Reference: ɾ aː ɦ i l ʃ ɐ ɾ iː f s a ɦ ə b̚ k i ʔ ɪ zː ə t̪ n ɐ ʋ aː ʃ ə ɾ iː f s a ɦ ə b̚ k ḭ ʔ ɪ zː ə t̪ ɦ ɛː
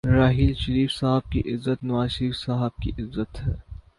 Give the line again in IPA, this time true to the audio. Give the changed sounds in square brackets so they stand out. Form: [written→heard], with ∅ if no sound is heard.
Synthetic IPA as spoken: ɾ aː ɦ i l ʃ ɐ ɾ iː f s a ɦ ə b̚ k i ʔ ɪ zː ə t̪ n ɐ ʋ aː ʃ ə ɾ iː f s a ɦ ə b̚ k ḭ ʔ ɪ zː ə t̪ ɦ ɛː